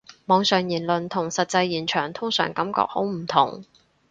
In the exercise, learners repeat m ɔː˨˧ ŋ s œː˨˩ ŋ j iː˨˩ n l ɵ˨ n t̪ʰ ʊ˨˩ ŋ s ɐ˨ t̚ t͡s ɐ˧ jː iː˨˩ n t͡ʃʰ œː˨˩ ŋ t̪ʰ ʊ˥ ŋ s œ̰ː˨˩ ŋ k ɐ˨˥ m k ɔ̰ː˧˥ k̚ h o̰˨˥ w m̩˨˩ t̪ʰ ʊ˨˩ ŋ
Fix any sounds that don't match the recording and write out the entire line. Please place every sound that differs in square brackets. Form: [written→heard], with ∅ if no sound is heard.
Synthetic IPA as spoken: m ɔː˨˧ ŋ s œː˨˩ ŋ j iː˨˩ n l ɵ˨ n t̪ʰ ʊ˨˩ ŋ s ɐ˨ t̚ t͡s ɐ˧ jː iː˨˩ n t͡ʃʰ œː˨˩ ŋ t̪ʰ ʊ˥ ŋ s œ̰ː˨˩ ŋ k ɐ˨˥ m k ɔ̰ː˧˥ k̚ h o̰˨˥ w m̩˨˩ t̪ʰ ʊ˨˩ ŋ